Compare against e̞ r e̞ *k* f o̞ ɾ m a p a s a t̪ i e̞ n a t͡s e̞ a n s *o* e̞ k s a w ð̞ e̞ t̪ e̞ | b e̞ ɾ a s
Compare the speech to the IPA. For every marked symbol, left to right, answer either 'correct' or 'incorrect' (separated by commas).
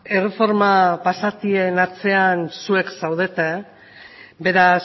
incorrect, incorrect